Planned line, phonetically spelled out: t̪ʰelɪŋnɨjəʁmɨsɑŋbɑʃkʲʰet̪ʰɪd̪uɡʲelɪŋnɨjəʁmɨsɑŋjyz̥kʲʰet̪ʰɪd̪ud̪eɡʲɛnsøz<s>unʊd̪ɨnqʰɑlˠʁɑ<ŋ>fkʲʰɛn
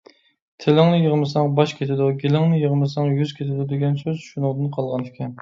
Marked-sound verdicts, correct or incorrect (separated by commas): incorrect, incorrect